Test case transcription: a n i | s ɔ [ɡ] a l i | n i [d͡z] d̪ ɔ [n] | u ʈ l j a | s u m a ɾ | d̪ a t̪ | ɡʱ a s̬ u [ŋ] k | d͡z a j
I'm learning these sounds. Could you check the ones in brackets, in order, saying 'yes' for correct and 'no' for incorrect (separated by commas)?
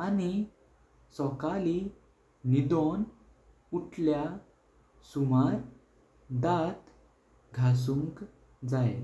no, no, yes, yes